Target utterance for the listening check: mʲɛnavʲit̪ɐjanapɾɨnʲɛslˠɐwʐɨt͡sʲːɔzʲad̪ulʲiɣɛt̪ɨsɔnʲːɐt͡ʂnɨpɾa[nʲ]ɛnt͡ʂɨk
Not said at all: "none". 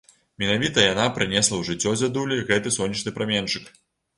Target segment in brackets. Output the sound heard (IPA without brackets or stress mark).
mʲ